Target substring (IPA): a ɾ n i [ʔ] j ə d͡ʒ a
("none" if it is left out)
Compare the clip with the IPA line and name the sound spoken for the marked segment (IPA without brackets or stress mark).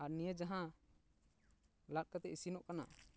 none